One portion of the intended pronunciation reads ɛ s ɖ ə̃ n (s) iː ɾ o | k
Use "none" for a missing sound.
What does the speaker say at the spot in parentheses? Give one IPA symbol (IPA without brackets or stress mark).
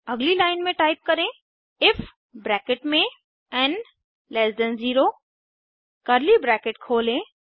z